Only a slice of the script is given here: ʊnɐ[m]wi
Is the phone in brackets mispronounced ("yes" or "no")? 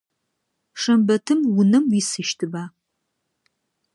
no